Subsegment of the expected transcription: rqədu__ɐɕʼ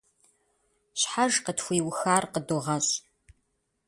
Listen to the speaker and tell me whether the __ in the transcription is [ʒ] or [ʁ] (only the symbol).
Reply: ʁ